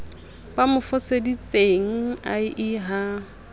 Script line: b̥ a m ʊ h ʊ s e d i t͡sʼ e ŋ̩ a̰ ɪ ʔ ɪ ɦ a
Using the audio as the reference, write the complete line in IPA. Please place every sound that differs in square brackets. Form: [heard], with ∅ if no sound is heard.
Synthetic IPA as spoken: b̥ a m ʊ [f] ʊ s e d i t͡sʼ e ŋ̩ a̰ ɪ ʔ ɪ ɦ a